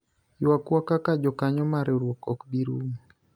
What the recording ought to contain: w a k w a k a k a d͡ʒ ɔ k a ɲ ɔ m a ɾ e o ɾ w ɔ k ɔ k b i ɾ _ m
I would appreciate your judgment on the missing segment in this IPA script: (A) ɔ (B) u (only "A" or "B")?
B